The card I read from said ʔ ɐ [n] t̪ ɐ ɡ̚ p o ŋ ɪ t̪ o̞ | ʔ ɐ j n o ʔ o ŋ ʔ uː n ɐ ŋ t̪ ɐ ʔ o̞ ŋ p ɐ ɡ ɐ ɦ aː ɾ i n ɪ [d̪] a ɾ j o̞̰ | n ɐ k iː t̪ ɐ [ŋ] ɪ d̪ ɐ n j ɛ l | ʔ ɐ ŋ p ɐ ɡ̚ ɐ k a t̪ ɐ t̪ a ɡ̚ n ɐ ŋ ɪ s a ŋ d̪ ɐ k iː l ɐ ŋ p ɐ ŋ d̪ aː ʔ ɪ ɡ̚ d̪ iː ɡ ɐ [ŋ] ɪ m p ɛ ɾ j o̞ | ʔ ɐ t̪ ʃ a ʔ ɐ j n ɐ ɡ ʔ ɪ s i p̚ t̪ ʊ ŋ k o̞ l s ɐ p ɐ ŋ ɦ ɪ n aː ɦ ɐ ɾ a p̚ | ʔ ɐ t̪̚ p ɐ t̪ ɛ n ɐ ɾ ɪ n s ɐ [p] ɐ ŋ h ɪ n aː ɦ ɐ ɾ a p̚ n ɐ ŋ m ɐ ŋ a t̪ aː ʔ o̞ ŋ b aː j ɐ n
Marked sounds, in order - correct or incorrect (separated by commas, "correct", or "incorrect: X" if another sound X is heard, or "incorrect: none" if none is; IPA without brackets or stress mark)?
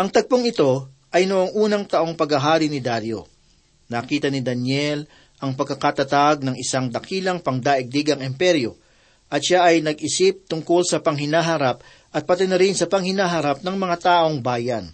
incorrect: ŋ, correct, incorrect: n, correct, correct